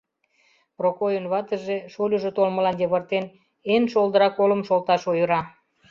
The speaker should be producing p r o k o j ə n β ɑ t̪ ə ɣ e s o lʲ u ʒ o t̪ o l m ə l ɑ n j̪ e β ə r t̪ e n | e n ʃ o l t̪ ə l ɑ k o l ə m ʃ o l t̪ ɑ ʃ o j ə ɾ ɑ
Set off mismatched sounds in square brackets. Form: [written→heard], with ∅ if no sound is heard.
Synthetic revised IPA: p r o k o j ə n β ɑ t̪ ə [ɣ→ʒ] e [s→ʃ] o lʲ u ʒ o t̪ o l m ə l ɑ n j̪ e β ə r t̪ e n | e n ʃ o l [t̪→d̪] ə [l→ɾ] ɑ k o l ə m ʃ o l t̪ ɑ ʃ o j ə ɾ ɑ